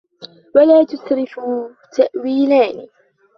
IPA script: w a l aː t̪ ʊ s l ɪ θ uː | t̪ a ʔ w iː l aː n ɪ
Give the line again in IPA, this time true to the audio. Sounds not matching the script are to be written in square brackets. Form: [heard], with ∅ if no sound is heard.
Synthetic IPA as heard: w a l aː t̪ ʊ s [ɾ] ɪ [f] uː | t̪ a ʔ w iː l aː n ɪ